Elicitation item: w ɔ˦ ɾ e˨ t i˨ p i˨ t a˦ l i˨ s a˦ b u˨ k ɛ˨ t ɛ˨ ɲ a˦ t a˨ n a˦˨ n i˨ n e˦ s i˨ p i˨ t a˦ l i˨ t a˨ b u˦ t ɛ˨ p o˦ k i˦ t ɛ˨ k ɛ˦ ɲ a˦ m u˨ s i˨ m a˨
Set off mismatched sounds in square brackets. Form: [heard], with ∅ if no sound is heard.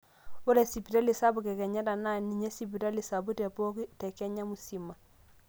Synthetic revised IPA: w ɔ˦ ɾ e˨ [s] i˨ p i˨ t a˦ l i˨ s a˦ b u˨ k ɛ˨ [k] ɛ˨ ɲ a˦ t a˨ n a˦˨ n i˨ [ɲ] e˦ s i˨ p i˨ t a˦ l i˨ [s] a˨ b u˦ t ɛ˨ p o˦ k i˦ t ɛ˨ k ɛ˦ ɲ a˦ m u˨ s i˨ m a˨

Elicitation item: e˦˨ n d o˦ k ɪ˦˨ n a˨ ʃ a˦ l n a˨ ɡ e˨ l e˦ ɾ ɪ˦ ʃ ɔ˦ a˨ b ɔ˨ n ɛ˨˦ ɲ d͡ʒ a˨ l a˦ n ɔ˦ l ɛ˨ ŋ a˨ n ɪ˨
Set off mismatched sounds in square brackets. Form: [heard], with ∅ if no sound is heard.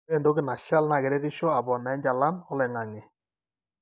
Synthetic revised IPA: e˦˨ n d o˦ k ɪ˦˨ n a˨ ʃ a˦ l n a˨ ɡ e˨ [ɾ] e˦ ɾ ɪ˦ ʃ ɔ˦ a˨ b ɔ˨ n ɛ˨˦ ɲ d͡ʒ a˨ l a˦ n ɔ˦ l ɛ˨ ŋ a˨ [ŋ] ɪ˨

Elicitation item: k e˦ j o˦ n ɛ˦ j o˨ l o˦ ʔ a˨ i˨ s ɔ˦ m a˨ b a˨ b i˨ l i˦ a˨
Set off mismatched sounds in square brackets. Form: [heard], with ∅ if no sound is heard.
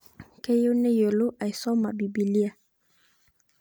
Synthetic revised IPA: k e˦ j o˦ n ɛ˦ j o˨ l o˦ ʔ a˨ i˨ s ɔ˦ m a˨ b [i˨] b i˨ l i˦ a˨

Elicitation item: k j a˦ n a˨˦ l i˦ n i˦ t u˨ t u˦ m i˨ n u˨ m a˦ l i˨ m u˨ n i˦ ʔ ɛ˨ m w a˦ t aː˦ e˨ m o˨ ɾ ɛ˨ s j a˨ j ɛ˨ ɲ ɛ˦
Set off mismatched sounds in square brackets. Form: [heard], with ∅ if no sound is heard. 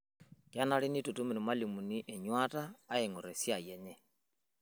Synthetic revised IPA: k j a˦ n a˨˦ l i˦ n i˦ t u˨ t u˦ m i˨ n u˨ m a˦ l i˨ m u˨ n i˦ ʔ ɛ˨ [ɲ] w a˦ t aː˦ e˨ [ŋ] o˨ ɾ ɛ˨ s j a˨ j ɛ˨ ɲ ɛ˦

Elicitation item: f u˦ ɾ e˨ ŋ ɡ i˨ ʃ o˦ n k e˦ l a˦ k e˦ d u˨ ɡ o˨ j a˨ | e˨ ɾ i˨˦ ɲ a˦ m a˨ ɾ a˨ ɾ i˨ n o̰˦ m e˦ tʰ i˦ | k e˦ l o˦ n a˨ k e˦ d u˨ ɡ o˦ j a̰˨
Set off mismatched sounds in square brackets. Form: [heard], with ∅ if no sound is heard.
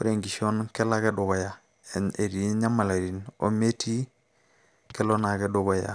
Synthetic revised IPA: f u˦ ɾ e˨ ŋ ɡ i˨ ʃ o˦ n k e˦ l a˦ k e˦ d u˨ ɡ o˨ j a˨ | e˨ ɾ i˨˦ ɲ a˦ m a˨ [l] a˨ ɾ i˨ n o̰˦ m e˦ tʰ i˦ | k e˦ l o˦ n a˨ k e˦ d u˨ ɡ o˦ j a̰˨

